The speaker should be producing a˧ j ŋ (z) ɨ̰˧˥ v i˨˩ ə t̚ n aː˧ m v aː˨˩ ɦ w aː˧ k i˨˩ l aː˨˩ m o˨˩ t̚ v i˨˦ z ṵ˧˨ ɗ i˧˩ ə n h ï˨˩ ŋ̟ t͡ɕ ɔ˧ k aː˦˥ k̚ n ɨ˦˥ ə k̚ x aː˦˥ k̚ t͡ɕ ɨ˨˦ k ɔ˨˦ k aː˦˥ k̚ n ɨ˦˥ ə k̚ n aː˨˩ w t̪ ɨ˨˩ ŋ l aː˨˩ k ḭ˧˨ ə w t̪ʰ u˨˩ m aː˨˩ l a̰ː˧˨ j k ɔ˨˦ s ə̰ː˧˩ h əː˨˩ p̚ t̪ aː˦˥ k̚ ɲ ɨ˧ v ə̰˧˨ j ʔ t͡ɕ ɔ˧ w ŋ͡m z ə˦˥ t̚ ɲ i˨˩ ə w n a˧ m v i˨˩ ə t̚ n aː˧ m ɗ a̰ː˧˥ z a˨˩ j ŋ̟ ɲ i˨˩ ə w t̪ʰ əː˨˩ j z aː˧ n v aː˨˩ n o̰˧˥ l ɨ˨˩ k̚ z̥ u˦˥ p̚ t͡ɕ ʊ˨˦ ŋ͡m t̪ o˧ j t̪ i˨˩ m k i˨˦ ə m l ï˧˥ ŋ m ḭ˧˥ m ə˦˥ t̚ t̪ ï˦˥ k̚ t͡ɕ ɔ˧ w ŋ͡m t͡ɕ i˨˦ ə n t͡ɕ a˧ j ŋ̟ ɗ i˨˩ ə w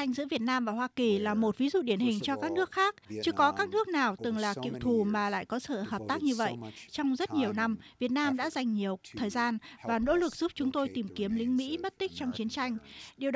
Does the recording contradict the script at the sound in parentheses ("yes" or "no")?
no